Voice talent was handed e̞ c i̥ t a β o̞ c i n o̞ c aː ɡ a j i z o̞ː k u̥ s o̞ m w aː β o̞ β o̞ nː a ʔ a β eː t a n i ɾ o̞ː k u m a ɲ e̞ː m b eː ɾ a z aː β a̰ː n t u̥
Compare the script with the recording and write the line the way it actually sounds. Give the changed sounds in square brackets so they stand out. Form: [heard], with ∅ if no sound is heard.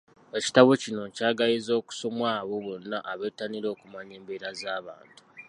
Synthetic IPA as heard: e̞ c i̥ t a β o̞ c i n o̞ c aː ɡ a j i z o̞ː k u̥ s o̞ m w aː β o̞ β o̞ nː a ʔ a β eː t a n i ɾ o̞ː k u m a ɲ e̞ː m b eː ɾ a z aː β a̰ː n t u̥